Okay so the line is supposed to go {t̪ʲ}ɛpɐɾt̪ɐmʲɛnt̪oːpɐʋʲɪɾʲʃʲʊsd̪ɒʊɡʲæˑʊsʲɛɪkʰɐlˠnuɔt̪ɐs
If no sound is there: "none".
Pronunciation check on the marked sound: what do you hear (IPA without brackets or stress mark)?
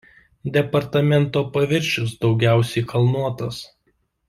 d̪ʲ